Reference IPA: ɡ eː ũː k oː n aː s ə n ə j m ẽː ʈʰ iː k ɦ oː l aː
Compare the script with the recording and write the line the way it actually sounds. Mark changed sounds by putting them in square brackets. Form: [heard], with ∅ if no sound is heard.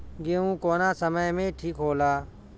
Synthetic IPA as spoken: ɡ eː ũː k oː n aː s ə [m] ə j m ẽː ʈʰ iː k ɦ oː l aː